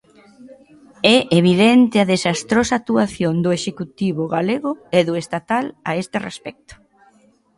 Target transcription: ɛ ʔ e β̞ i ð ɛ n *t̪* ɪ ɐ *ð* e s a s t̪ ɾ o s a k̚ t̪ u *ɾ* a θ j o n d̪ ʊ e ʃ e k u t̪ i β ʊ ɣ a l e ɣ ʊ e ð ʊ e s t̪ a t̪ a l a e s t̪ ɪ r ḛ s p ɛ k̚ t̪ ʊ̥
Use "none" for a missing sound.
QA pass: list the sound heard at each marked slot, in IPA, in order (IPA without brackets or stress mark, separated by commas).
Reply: t̪, ð, none